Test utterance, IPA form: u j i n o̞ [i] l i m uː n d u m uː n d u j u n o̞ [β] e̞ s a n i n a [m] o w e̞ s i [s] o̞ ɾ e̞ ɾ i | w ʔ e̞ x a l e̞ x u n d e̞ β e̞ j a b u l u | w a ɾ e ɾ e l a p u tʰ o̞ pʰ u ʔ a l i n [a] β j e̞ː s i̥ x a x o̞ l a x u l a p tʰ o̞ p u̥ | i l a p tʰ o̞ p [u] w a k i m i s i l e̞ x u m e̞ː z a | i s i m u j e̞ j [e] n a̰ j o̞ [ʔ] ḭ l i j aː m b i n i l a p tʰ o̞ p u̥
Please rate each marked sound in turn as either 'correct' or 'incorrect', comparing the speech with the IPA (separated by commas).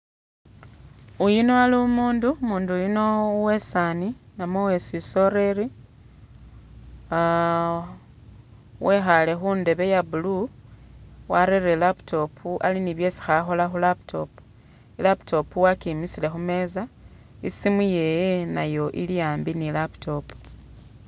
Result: incorrect, incorrect, correct, correct, incorrect, correct, correct, correct